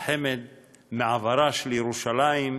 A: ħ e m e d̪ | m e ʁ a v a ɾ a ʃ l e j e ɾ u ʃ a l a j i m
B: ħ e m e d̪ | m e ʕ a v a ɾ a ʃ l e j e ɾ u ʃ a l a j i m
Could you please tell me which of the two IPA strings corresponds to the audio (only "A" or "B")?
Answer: B